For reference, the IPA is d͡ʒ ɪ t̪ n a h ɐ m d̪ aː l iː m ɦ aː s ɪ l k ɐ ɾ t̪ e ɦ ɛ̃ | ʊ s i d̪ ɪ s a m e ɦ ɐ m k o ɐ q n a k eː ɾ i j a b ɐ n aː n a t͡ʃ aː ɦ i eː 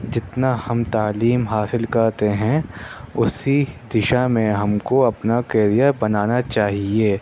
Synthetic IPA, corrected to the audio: d͡ʒ ɪ t̪ n a h ɐ m t̪ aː l iː m ɦ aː s ɪ l k ɐ ɾ t̪ e ɦ ɛ̃ | ʊ s i d̪ ɪ ʃ a m ẽ ɦ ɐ m k o ɐ p n a k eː ɾ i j a b ɐ n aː n a t͡ʃ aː ɦ i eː